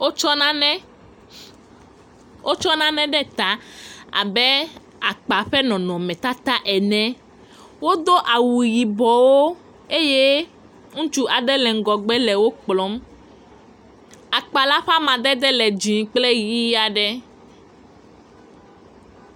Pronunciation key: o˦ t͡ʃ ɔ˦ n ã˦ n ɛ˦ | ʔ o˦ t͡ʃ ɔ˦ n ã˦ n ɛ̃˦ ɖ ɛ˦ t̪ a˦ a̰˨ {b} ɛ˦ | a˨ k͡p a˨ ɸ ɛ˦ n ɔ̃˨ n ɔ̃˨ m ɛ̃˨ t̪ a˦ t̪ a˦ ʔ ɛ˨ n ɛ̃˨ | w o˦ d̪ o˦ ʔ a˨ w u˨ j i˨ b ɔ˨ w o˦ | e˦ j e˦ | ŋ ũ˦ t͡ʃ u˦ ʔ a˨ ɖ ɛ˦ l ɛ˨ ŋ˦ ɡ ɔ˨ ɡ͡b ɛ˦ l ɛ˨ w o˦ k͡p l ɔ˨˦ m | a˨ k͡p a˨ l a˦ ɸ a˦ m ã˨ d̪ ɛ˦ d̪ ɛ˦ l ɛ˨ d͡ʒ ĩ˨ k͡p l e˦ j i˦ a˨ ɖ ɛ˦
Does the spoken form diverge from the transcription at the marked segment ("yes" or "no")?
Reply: no